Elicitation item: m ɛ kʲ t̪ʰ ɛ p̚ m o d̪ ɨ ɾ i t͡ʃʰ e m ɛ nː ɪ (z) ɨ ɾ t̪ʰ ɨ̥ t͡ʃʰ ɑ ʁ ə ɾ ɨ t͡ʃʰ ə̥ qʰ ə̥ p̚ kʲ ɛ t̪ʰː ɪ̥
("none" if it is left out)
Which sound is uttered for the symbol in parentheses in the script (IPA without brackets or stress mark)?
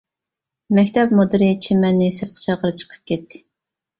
s